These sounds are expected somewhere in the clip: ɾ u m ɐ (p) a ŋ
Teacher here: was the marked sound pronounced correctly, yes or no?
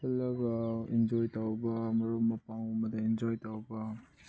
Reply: yes